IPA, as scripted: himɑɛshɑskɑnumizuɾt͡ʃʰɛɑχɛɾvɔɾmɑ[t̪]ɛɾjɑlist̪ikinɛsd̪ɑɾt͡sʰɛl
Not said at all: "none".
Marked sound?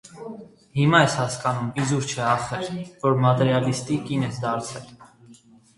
t̪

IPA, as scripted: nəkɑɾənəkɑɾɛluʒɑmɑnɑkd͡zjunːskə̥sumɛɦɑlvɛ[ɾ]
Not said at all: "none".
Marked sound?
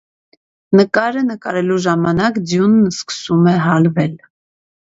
l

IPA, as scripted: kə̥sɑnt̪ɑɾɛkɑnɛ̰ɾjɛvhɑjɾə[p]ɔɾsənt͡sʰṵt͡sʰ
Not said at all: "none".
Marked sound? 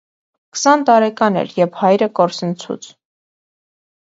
k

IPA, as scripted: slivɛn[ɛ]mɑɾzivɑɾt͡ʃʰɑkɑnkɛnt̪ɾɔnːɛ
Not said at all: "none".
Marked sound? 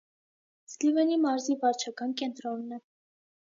i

